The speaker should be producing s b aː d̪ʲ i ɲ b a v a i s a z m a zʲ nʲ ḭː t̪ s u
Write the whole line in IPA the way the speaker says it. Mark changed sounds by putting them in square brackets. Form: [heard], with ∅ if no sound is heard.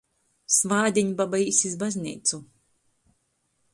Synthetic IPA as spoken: s [v] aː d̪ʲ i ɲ b a [b] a i s [i] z [b] a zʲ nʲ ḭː t̪ s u